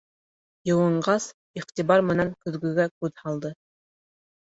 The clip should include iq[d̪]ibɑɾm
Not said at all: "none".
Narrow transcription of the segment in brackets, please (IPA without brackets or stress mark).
t̪